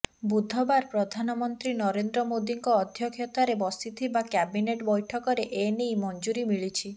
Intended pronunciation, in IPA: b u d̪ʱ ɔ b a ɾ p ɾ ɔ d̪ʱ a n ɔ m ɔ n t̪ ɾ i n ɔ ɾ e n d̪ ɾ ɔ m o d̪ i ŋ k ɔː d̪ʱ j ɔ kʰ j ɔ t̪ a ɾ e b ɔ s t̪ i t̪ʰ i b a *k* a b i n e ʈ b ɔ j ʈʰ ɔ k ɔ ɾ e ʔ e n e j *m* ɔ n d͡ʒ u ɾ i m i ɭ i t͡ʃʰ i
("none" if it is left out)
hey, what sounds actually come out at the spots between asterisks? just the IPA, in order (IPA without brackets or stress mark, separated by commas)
k, m